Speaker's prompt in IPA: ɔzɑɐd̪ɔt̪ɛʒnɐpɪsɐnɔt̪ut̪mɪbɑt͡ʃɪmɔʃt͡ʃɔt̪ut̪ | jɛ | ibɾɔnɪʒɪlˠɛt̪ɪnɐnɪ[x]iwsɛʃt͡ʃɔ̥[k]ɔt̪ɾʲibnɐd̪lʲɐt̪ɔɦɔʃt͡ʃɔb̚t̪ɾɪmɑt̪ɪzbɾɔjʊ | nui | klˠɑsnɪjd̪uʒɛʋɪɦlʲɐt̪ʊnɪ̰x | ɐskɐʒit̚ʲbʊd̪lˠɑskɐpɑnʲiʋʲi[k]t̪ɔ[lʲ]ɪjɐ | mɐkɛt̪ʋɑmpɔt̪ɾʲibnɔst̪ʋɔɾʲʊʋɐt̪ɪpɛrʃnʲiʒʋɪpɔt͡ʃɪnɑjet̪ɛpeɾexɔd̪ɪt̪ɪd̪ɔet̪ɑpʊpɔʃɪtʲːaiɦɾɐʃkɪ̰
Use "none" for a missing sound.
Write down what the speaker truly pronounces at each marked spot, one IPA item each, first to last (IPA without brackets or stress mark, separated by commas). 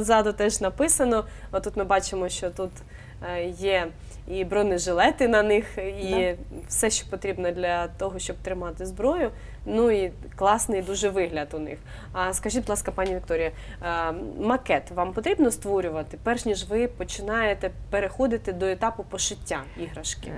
x, p, k, ɾʲ